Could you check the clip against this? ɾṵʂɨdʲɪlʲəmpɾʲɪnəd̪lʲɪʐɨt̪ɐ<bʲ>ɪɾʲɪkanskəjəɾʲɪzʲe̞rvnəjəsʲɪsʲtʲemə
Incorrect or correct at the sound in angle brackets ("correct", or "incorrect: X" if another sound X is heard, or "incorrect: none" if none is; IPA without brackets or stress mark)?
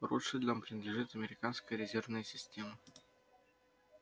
incorrect: mʲ